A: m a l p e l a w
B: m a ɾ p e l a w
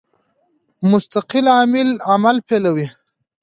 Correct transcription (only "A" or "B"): A